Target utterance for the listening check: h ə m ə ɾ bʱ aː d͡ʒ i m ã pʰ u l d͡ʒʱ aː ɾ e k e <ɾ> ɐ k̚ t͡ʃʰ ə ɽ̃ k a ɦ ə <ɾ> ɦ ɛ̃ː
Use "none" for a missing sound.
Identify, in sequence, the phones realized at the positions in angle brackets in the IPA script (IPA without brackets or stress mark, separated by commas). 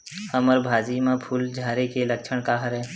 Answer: l, ɾ